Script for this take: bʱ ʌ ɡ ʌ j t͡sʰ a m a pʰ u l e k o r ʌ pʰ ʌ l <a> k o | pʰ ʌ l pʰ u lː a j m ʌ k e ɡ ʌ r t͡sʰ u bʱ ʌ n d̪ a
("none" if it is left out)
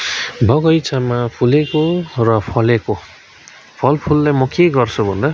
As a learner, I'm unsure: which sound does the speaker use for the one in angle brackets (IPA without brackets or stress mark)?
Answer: e